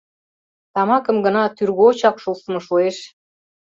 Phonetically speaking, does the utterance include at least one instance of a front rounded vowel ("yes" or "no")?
yes